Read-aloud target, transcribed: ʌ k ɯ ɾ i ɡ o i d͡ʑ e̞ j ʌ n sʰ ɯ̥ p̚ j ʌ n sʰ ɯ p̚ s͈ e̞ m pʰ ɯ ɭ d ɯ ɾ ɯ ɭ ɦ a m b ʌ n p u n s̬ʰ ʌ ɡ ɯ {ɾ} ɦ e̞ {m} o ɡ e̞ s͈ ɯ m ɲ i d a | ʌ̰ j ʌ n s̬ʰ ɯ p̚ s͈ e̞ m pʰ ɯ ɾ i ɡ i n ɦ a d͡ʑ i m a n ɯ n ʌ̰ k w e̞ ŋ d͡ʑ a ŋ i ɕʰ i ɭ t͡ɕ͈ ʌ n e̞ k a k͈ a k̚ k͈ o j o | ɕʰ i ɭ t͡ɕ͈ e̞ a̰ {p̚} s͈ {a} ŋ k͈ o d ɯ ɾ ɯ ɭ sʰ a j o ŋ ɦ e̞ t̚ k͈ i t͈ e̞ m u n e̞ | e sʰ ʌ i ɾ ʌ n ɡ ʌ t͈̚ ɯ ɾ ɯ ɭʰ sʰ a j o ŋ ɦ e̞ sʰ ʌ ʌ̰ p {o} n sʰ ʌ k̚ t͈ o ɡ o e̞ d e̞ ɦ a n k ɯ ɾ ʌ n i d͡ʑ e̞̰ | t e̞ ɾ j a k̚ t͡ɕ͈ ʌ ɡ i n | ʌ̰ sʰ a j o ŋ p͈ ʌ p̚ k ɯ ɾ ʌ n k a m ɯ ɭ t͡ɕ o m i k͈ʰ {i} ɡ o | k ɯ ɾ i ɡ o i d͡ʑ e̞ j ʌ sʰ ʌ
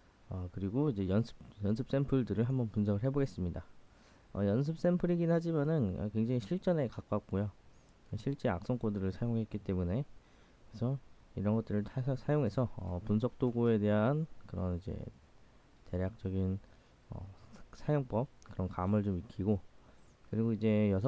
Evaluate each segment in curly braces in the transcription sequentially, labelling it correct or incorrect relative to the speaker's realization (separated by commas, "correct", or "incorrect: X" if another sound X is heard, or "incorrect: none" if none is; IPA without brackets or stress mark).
incorrect: ɭ, incorrect: b, incorrect: k̚, incorrect: ʌ, incorrect: u, correct